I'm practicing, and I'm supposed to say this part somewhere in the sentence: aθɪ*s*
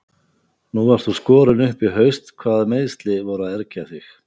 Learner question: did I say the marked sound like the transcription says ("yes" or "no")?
no